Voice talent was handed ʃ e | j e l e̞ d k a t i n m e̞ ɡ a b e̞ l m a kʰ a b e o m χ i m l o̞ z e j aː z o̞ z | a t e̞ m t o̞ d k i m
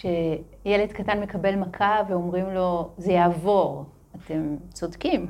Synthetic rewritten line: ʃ e | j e l e̞ d k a t a n m e̞ k a b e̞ l m a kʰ a v e o m ʁ i m l o̞ z e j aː v o̞ ʁ | a t e̞ m t͡s o̞ d k i m